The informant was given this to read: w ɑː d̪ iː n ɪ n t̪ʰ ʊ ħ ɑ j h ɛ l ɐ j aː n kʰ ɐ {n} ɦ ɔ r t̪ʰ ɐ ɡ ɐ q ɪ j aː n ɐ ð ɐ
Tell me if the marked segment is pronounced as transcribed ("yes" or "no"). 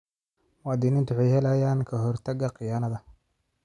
no